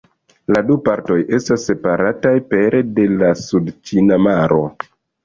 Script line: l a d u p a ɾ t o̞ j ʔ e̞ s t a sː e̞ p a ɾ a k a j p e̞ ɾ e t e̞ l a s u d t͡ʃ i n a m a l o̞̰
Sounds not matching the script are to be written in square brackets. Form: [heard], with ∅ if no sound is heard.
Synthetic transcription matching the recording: l a d u p a ɾ t o̞ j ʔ e̞ s t a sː e̞ p a ɾ a [t] a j p e̞ ɾ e [d] e̞ l a s u d t͡ʃ i n a m a [ɾ] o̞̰